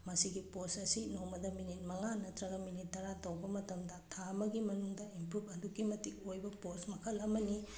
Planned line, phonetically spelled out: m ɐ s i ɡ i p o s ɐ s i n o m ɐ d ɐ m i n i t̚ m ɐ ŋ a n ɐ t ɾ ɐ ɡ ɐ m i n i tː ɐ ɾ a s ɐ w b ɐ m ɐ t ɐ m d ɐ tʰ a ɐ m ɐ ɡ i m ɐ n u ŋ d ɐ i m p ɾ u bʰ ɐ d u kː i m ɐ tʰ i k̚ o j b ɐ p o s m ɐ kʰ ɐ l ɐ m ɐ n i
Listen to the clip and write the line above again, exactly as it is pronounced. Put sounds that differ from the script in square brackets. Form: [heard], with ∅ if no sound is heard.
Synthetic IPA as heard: m ɐ s i ɡ i p o s ɐ s i n o m ɐ d ɐ m i n i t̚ m ɐ ŋ a n ɐ t ɾ ɐ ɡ ɐ m i n i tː ɐ ɾ a [t] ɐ w b ɐ m ɐ t ɐ m d ɐ tʰ a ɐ m ɐ ɡ i m ɐ n u ŋ d ɐ i m p ɾ u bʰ ɐ d u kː i m ɐ [t] i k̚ o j b ɐ p o s m ɐ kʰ ɐ l ɐ m ɐ n i